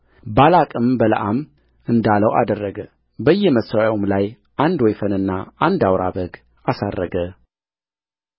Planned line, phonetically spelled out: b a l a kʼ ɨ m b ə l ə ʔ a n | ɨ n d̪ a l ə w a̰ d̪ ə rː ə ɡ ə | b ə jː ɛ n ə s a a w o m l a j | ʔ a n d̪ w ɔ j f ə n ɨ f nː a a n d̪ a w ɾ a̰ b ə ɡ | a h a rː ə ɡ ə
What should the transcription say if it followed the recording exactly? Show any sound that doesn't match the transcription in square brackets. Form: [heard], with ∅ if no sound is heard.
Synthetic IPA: b a l a kʼ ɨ m b ə l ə ʔ a [m] | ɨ n d̪ a l ə w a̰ d̪ ə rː ə ɡ ə | b ə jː ɛ [m] ə s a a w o m l a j | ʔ a n d̪ w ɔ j f ə n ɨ [∅] nː a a n d̪ a w ɾ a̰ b ə ɡ | a [s] a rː ə ɡ ə